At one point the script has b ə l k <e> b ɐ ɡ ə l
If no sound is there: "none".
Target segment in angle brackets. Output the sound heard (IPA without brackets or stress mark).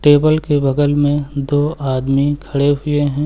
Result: e